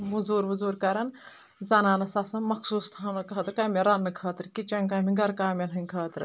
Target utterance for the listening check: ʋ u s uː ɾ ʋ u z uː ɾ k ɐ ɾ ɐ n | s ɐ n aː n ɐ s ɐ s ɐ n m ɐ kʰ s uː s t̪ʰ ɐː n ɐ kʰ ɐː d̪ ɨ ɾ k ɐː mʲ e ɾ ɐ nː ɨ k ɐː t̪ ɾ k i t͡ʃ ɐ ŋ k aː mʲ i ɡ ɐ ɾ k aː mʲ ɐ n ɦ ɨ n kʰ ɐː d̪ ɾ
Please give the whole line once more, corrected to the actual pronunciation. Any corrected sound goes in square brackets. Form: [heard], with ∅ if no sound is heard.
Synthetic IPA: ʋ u [z] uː ɾ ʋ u z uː ɾ k ɐ ɾ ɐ n | [z] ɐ n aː n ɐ s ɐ s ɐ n m ɐ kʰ s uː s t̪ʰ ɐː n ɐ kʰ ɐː [t̪] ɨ ɾ k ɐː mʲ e ɾ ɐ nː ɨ [kʰ] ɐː t̪ ɾ k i t͡ʃ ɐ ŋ k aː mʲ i ɡ ɐ ɾ k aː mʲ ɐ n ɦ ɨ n kʰ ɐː [t̪] ɾ